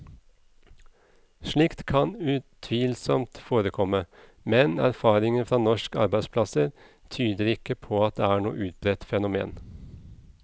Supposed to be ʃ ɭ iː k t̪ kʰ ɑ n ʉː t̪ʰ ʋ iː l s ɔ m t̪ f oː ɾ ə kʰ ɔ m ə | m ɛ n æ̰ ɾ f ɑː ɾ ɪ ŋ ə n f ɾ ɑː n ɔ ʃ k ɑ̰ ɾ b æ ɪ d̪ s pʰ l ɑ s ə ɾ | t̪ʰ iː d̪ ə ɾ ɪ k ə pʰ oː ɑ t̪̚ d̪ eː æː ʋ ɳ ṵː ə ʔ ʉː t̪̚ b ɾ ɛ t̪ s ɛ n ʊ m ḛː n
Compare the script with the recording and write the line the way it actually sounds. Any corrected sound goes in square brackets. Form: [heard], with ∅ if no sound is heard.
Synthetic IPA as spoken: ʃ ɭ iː k t̪ kʰ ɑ n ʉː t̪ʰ ʋ iː l s ɔ m t̪ f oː ɾ ə kʰ ɔ m ə | m ɛ n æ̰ ɾ f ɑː ɾ ɪ ŋ ə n f ɾ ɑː n ɔ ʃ k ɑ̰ ɾ b æ ɪ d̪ s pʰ l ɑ s ə ɾ | t̪ʰ [yː] d̪ ə ɾ ɪ k ə pʰ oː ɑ t̪̚ d̪ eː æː [∅] ɳ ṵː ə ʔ ʉː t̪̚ b ɾ ɛ t̪ [f] ɛ n ʊ m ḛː n